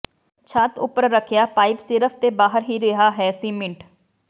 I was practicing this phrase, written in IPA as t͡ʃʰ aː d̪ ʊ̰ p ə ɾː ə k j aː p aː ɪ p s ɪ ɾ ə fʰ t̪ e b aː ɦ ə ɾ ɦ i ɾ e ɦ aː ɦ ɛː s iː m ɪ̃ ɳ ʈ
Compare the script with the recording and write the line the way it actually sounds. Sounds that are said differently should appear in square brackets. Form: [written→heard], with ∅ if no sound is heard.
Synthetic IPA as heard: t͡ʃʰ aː [d̪→t̪] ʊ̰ p ə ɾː ə [k→kʰ] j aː p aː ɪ p s ɪ ɾ ə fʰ t̪ e b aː ɦ ə ɾ ɦ i ɾ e ɦ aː ɦ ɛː s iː m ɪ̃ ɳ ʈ